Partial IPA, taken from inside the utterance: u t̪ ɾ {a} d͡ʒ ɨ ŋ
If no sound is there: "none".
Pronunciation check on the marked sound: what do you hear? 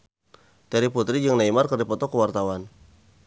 i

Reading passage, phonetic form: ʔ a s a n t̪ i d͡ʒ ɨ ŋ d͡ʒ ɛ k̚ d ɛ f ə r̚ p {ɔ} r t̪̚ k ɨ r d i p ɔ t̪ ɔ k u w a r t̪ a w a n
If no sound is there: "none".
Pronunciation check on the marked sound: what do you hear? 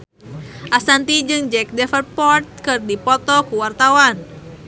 ɔ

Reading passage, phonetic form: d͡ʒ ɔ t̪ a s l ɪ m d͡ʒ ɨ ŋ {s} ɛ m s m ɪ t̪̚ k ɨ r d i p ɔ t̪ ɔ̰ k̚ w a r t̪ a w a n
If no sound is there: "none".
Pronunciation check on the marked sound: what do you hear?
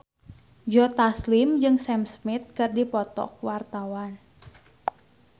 s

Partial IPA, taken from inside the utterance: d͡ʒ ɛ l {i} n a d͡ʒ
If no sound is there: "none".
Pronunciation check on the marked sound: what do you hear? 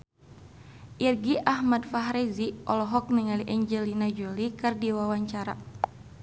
i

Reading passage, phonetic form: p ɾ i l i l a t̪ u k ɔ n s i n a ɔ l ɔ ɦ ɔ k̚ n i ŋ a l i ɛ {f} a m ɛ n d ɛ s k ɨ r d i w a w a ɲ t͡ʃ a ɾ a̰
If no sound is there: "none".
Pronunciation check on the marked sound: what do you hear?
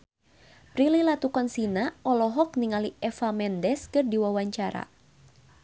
f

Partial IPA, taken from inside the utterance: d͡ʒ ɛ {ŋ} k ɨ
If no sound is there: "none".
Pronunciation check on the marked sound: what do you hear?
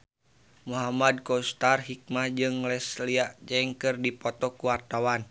ŋ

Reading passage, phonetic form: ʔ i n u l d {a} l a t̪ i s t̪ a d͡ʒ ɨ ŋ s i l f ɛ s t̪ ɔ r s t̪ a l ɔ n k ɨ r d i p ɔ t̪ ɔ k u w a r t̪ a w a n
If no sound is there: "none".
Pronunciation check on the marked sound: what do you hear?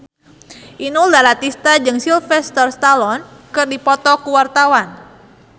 a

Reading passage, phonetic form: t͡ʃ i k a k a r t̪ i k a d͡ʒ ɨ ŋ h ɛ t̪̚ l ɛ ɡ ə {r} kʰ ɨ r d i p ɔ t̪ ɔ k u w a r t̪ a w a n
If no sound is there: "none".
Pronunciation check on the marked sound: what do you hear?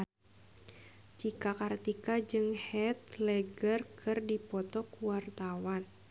r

